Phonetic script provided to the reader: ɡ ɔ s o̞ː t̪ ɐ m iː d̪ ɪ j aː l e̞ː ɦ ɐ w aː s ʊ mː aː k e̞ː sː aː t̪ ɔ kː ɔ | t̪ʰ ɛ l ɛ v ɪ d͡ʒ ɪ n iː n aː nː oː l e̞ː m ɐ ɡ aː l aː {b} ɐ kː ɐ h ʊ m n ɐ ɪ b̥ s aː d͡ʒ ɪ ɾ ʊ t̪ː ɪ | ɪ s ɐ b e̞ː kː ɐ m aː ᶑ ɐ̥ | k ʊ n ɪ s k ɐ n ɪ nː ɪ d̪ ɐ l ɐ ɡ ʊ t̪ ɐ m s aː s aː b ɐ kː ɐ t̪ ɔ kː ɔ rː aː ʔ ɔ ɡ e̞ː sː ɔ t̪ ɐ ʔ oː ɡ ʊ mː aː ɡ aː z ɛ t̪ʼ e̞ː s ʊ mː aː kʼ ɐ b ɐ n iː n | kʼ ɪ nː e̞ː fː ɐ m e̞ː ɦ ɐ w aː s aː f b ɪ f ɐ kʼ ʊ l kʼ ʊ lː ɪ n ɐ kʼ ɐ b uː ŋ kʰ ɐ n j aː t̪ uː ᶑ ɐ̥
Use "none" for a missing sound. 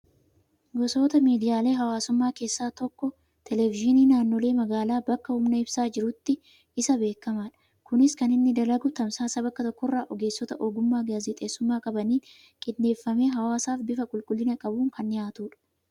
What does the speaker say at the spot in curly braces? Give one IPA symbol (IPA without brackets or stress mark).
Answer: b